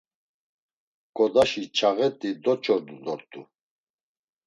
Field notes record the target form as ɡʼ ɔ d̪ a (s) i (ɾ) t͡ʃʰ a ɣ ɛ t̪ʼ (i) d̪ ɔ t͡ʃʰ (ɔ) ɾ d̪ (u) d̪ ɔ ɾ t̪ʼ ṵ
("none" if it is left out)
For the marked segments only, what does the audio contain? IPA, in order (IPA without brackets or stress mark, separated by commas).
ʃ, none, i, ɔ, u